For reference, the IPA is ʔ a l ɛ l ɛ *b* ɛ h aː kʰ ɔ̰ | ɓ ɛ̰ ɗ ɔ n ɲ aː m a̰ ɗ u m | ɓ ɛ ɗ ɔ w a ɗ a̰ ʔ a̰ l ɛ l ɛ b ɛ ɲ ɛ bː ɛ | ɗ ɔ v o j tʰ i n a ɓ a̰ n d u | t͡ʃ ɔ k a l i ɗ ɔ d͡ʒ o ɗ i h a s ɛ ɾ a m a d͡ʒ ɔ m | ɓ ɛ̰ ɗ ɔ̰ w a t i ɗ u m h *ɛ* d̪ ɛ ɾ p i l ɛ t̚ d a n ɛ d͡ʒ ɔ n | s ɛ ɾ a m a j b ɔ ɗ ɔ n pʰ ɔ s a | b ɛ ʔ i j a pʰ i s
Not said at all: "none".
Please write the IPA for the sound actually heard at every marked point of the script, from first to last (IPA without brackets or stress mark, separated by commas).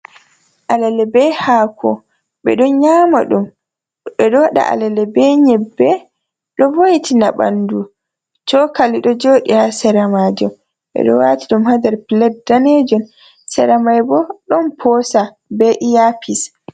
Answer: b, a